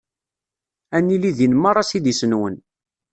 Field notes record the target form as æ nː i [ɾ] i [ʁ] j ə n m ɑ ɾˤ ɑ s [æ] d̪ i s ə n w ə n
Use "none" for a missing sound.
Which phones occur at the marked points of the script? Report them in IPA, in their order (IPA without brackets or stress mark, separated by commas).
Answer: l, ð, i